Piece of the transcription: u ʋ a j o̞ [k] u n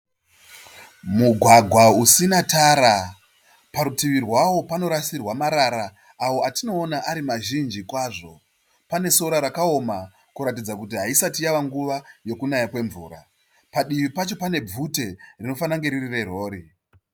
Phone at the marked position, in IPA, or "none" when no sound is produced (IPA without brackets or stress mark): k